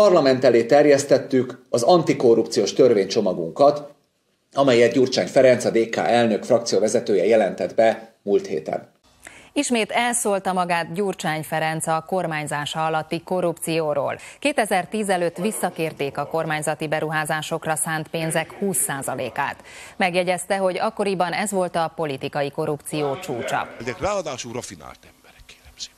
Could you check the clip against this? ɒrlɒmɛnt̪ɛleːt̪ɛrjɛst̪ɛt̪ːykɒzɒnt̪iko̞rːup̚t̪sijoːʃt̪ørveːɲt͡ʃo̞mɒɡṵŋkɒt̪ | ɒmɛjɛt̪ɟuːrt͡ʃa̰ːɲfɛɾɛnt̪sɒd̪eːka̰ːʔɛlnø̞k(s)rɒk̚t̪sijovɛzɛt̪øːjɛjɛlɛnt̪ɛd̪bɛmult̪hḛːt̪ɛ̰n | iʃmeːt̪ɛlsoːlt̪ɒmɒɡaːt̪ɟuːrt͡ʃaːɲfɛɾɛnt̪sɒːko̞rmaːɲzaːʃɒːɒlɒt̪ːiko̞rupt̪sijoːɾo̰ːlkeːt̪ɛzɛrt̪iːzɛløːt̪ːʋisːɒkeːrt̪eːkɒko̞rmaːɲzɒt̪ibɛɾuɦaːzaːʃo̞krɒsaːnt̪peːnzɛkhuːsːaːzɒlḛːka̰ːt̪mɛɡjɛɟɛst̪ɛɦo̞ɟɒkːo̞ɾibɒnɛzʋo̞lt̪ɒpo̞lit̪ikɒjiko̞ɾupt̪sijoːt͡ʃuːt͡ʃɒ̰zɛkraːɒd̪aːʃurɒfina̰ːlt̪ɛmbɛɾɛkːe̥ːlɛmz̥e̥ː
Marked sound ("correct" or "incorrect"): incorrect